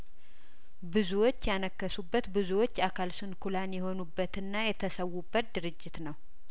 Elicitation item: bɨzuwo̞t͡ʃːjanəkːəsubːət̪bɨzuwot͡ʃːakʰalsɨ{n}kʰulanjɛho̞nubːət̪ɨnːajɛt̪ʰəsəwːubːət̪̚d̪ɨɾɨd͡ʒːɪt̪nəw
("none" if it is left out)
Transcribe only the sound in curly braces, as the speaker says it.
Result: n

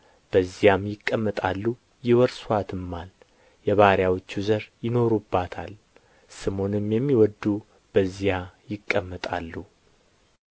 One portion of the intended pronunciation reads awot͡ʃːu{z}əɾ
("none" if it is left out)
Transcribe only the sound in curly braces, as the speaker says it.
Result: z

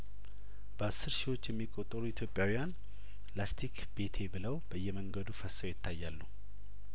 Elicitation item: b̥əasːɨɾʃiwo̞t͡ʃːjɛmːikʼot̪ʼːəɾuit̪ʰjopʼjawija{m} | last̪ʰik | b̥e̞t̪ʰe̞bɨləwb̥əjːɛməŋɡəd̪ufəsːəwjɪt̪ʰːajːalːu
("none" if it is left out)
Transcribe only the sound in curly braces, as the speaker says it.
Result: n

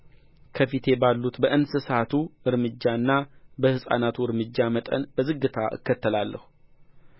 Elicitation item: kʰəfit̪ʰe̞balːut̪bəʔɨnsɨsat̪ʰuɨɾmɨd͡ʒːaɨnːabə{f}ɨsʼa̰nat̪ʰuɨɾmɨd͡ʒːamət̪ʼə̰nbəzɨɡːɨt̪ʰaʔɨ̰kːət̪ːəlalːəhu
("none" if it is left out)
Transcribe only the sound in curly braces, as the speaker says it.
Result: h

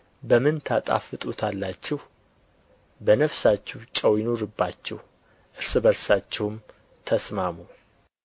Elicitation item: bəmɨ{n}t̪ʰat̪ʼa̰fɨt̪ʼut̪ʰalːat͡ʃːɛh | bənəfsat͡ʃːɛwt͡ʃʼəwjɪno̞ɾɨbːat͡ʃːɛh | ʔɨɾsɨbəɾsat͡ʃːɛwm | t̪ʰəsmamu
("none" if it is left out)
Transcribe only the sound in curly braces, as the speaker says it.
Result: n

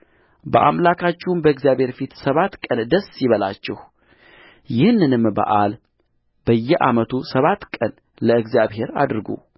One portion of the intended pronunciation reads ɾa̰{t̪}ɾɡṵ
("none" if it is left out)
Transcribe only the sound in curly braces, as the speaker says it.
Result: d̪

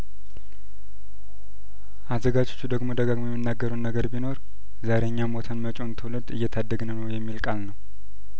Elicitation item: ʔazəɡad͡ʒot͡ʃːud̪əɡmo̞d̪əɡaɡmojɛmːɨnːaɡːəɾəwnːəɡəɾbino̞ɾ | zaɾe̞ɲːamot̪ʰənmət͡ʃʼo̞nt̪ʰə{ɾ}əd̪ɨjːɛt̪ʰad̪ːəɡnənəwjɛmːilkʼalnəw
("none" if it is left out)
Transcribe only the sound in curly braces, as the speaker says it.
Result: l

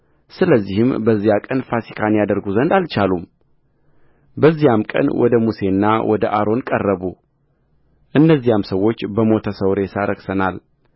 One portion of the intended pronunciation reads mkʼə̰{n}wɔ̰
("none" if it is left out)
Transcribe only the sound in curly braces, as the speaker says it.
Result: n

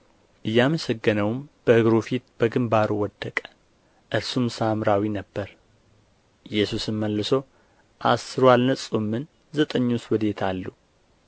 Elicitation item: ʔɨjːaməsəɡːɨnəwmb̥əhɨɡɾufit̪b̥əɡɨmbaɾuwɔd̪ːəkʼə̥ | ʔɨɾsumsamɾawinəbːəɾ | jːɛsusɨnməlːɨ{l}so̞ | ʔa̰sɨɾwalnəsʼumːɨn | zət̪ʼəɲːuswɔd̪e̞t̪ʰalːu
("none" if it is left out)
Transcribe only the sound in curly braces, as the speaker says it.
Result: none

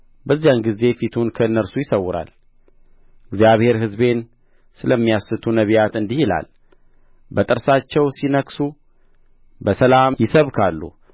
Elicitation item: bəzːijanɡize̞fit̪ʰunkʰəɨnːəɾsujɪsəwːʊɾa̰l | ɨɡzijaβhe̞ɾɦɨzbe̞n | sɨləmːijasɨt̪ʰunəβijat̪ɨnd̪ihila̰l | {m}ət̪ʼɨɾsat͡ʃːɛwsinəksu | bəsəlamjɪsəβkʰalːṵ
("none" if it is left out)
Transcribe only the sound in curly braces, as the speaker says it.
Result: b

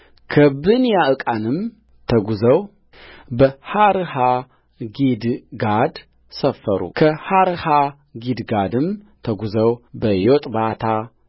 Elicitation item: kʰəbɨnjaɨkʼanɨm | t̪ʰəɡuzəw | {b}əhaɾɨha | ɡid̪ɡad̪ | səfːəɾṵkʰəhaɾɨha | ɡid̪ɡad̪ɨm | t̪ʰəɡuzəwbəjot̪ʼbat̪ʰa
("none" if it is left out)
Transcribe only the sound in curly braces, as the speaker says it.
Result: b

